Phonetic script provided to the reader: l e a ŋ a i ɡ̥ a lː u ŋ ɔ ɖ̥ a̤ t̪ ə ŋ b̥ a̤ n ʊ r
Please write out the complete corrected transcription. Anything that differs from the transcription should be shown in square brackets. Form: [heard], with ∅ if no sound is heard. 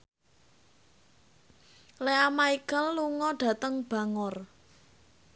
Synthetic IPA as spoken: l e a [m] a i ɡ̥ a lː u ŋ ɔ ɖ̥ a̤ t̪ ə ŋ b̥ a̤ [ŋ] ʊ r